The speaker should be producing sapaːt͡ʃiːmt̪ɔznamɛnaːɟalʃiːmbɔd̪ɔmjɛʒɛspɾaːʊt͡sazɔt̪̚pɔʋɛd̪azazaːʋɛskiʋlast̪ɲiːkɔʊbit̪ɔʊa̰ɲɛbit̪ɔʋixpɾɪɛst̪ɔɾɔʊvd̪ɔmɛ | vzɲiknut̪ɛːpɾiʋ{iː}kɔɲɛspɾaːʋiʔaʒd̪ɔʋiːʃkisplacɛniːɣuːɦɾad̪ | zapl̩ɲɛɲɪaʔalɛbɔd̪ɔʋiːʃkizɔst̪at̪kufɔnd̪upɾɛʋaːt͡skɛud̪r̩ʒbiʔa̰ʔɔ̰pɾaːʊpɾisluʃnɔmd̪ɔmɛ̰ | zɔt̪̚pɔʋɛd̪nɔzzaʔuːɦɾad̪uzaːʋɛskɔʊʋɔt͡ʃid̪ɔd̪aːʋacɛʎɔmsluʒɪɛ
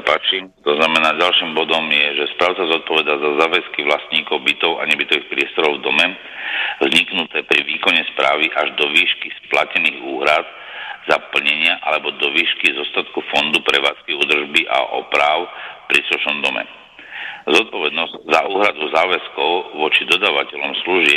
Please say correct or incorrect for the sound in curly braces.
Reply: correct